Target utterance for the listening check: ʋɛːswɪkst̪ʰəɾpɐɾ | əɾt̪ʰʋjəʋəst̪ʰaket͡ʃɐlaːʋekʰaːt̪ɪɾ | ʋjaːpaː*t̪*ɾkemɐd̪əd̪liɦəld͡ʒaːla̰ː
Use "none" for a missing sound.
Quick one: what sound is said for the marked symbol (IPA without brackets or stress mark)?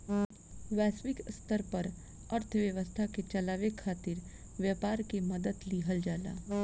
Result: none